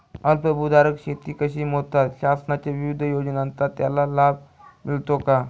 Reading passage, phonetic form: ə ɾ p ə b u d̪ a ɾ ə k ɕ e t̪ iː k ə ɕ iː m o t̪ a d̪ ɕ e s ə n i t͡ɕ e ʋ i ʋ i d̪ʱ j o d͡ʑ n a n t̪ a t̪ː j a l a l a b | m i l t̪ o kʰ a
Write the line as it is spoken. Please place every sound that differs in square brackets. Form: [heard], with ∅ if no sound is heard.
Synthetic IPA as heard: ə [l] p ə b u d̪ a ɾ ə k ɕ e t̪ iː k ə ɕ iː m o t̪ a [t̪] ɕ [a] s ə n [a] t͡ɕ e ʋ i ʋ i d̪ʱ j o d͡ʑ n a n t̪ a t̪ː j a l a l a b | m i l t̪ o [k] a